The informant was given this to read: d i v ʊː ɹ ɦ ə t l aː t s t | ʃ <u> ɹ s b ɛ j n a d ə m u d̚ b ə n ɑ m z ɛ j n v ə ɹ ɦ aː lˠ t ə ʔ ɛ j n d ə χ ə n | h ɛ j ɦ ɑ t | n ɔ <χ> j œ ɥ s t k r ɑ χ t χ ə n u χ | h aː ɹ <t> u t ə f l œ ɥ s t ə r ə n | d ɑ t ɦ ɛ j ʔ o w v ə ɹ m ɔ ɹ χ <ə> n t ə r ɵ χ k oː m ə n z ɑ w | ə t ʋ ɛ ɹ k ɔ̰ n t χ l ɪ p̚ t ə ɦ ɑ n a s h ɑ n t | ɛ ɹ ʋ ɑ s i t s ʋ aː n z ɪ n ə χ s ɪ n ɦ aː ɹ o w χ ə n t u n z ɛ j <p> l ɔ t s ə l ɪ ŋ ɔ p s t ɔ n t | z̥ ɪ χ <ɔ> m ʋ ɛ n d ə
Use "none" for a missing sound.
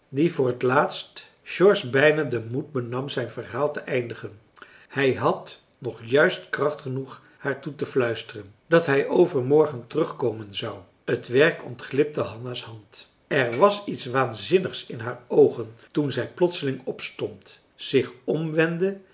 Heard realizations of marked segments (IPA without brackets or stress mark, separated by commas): ɔ, χ, t, ə, p, ɔ